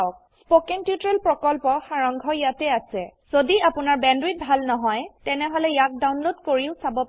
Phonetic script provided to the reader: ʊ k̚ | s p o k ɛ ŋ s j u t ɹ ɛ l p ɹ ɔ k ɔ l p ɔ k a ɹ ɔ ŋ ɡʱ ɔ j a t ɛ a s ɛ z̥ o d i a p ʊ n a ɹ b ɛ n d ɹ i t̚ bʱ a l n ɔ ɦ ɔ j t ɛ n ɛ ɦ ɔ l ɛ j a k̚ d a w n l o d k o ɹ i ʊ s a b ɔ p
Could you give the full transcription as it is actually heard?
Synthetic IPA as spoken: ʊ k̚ | s p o k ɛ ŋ t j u t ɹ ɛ l p ɹ ɔ k ɔ l p ɔ x a ɹ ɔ ŋ ɡʱ ɔ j a t ɛ a s ɛ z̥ o d i a p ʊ n a ɹ b ɛ n d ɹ i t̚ bʱ a l n ɔ ɦ ɔ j t ɛ n ɛ ɦ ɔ l ɛ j a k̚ d a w n l o d k o ɹ i ʊ s a b ɔ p

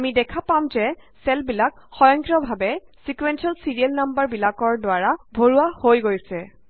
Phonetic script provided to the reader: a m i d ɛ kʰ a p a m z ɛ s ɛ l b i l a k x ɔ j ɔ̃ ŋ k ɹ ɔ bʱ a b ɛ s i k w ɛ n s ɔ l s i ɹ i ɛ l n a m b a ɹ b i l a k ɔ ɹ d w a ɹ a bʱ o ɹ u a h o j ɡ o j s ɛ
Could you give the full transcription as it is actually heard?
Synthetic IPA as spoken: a m i d ɛ kʰ a p a m z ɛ s ɛ l b i l a k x ɔ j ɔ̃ ŋ k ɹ ɔ bʱ a b ɛ s i k w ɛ n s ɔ l s i ɹ i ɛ l n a m b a ɹ b i l a k ɔ ɹ d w a ɹ a bʱ o ɹ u a h o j ɡ o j s ɛ

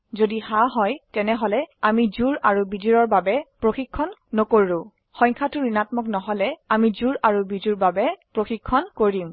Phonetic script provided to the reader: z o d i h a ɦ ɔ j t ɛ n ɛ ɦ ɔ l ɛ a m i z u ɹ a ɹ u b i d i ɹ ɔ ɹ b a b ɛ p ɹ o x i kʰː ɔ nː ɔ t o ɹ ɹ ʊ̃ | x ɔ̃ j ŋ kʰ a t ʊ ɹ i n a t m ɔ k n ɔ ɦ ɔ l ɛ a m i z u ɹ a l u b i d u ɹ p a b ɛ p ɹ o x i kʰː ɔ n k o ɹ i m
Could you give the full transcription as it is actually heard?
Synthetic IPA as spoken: z o d i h a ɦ ɔ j t ɛ n ɛ ɦ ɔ l ɛ a m i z u ɹ a ɹ u b i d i ɹ ɔ ɹ b a b ɛ p ɹ o x i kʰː ɔ nː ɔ k o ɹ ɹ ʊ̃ | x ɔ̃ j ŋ kʰ a t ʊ ɹ i n a t m ɔ k n ɔ ɦ ɔ l ɛ a m i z u ɹ a ɹ u b i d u ɹ b a b ɛ p ɹ o x i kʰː ɔ n k o ɹ i m

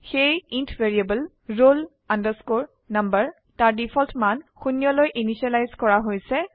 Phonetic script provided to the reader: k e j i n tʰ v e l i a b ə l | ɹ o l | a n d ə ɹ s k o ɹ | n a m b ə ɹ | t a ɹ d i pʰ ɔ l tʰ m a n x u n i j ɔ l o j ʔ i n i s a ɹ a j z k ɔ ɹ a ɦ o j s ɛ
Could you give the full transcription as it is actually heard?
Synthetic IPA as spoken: x e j i n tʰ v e ɹ i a b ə l | ɹ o l | a n d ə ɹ s k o ɹ | n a m b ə ɹ | t a ɹ d i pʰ ɔ l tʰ m a n x u n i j ɔ l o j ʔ i n i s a l a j z k ɔ ɹ a ɦ o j s ɛ

